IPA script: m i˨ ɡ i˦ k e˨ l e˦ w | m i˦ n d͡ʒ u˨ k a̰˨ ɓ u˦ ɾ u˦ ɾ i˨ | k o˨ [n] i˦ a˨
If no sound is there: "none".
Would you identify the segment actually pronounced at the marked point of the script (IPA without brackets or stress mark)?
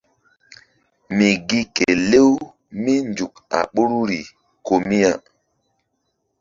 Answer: m